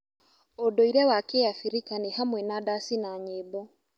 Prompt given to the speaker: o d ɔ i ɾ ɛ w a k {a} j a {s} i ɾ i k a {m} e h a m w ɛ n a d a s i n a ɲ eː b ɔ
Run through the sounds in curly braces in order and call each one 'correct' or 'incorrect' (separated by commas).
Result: incorrect, incorrect, incorrect